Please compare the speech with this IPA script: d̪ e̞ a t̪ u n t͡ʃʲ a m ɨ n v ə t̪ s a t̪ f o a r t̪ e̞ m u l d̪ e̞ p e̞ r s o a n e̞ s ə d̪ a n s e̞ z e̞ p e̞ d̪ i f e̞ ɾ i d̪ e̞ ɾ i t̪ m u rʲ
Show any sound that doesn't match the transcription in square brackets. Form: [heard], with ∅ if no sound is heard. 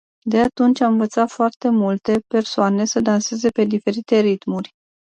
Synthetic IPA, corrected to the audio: d̪ e̞ a t̪ u n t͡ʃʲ a m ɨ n v ə t̪ s a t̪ f o a r t̪ e̞ m u l [t̪] e̞ p e̞ r s o a n e̞ s ə d̪ a n s e̞ z e̞ p e̞ d̪ i f e̞ ɾ i [t̪] e̞ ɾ i t̪ m u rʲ